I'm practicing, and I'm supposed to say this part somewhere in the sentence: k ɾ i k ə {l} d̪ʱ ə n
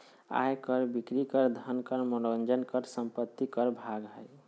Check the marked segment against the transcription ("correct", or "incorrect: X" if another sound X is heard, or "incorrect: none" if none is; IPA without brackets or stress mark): incorrect: ɾ